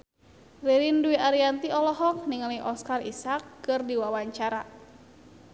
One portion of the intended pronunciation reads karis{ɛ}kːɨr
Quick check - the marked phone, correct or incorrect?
incorrect